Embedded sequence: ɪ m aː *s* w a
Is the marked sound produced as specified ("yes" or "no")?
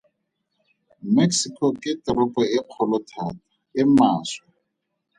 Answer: yes